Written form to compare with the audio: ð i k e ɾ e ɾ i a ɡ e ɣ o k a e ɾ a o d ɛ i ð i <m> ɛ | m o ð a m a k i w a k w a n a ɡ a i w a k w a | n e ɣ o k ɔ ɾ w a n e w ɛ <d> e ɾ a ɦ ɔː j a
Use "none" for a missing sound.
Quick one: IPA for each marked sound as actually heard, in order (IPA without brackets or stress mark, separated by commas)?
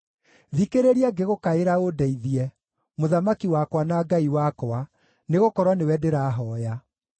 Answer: none, d